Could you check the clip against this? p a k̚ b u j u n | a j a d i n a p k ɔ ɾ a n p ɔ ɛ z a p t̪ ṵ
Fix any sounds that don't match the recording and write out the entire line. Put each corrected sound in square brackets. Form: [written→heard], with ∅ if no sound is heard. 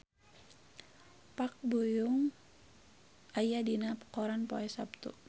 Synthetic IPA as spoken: p a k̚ b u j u [n→ŋ] | a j a d i n a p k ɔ ɾ a n p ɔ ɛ [z→s] a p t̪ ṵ